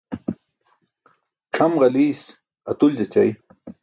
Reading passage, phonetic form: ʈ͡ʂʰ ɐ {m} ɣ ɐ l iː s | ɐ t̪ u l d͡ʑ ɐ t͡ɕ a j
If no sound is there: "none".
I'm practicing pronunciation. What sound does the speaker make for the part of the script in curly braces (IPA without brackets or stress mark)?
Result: m